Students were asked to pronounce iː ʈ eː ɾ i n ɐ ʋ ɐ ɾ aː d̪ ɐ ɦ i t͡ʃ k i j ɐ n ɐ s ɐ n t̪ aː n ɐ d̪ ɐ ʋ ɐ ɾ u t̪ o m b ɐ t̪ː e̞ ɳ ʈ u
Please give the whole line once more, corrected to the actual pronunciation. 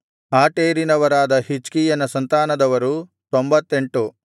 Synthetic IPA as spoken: aː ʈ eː ɾ i n ɐ ʋ ɐ ɾ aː d̪ ɐ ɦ i t͡ʃ k i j ɐ n ɐ s ɐ n t̪ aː n ɐ d̪ ɐ ʋ ɐ ɾ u t̪ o m b ɐ t̪ː e̞ ɳ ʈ u